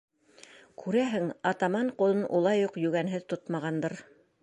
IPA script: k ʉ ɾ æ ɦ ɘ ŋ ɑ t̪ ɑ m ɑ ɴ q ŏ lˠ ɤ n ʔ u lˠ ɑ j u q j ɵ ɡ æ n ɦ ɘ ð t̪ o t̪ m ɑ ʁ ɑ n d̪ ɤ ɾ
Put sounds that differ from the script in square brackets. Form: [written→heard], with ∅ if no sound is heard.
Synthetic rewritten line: k ʉ ɾ æ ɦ ɘ ŋ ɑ t̪ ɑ m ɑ ɴ q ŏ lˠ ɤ n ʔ u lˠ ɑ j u q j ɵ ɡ æ n ɦ ɘ ð t̪ o t̪ m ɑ ʁ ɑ n d̪ ɤ ɾ

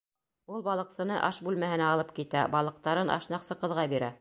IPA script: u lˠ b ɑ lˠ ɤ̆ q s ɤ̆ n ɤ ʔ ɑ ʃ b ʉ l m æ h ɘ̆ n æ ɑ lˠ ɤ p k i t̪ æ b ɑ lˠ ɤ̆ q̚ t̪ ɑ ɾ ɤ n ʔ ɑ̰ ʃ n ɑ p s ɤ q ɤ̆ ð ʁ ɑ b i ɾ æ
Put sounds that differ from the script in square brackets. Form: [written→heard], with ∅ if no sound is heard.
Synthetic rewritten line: u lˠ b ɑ lˠ ɤ̆ q s ɤ̆ n ɤ ʔ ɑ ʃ b ʉ l m æ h ɘ̆ n æ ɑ lˠ ɤ p k i t̪ æ b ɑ lˠ ɤ̆ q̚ t̪ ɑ ɾ ɤ n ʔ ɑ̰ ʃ n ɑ [p→q] s ɤ q ɤ̆ ð ʁ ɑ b i ɾ æ

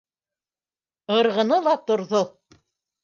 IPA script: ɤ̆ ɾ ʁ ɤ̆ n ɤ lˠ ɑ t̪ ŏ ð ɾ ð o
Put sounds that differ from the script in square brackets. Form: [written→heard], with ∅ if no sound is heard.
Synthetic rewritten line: ɤ̆ ɾ ʁ ɤ̆ n ɤ lˠ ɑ t̪ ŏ [ð→∅] ɾ ð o

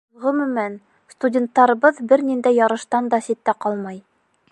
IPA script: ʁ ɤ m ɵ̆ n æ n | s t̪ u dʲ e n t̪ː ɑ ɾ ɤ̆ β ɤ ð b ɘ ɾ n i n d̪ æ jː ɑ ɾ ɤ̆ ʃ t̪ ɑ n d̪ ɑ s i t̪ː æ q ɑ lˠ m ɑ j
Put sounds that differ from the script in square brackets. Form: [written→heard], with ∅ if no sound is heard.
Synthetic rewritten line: ʁ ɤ m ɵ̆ [n→m] æ n | s t̪ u dʲ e n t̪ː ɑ ɾ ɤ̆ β ɤ ð b ɘ ɾ n i n d̪ æ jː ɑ ɾ ɤ̆ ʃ t̪ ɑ n d̪ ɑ s i t̪ː æ q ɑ lˠ m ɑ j

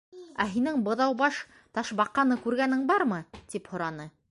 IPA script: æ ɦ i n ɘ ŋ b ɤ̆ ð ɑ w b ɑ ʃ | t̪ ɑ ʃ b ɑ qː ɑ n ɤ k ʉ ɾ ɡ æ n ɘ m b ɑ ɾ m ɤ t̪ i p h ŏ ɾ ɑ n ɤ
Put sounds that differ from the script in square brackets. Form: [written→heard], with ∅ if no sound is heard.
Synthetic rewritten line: æ ɦ i n ɘ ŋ b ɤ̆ ð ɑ w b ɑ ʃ | t̪ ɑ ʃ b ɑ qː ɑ n ɤ k ʉ ɾ ɡ æ n ɘ [m→ŋ] b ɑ ɾ m ɤ t̪ i p h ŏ ɾ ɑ n ɤ

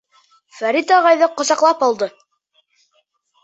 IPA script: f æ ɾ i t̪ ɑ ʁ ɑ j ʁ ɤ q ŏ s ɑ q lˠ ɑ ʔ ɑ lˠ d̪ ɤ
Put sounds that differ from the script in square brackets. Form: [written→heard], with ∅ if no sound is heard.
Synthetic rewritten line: f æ ɾ i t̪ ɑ ʁ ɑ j [ʁ→ð] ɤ q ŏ s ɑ q lˠ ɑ [ʔ→p] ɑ lˠ d̪ ɤ

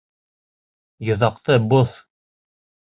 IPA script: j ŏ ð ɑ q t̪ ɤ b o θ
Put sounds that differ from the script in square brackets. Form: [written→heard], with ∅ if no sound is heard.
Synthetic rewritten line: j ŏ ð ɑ q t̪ ɤ b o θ

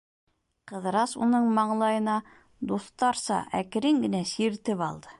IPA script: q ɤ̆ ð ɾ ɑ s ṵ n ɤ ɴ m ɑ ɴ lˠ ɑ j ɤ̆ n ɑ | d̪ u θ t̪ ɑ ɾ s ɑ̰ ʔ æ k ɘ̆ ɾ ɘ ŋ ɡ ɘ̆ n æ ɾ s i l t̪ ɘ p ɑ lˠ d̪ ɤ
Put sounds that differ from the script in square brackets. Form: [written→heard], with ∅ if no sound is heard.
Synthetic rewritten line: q ɤ̆ ð ɾ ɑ s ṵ n ɤ ɴ m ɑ ɴ lˠ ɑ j ɤ̆ n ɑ | d̪ u θ t̪ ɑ ɾ s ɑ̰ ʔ æ k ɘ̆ ɾ ɘ ŋ ɡ ɘ̆ n æ [ɾ→∅] s i [l→ɾ] t̪ ɘ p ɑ lˠ d̪ ɤ

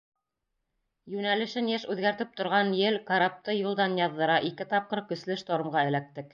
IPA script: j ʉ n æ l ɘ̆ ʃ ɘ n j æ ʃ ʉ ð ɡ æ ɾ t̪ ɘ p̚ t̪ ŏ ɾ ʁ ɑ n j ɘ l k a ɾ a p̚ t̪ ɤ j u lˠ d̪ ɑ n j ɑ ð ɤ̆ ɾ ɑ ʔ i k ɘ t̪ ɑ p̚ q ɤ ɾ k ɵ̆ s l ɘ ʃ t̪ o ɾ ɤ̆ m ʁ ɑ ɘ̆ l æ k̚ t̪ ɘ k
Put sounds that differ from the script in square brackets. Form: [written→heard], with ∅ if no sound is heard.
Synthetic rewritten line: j ʉ n æ l ɘ̆ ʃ ɘ n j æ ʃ ʉ ð ɡ æ ɾ t̪ ɘ p̚ t̪ ŏ ɾ ʁ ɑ n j ɘ l k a ɾ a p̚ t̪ ɤ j u lˠ d̪ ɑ n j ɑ [ð→ðː] ɤ̆ ɾ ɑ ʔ i k ɘ t̪ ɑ p̚ q ɤ ɾ k ɵ̆ s l ɘ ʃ t̪ o ɾ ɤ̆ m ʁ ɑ ɘ̆ l æ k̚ t̪ ɘ k

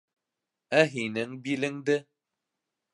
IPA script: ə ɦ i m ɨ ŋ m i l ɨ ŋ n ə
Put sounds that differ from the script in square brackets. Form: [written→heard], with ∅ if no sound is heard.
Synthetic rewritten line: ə ɦ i [m→n] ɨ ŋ [m→b] i l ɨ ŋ [n→d] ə

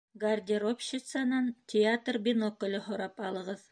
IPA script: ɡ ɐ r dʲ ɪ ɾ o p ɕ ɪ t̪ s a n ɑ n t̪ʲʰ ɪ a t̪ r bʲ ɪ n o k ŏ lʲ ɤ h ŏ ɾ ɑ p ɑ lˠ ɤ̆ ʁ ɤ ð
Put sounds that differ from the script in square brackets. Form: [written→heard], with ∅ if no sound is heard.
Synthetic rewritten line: ɡ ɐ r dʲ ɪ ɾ o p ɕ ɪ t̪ s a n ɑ n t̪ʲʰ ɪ a t̪ r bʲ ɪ n o k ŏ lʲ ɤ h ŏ ɾ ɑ p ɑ lˠ ɤ̆ ʁ ɤ ð

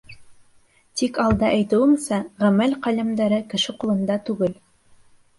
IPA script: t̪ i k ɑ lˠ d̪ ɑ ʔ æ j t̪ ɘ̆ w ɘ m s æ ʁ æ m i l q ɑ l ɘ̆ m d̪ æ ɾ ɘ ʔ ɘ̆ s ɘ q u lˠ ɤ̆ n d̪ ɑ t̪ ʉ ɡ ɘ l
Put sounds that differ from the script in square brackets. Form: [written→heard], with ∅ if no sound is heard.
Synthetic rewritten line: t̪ i k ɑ lˠ d̪ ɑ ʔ æ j t̪ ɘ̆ w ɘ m s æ ʁ æ m [i→æ] l q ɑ l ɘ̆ m d̪ æ ɾ ɘ [ʔ→k] ɘ̆ [s→ʃ] ɘ q u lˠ ɤ̆ n d̪ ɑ t̪ ʉ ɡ ɘ l

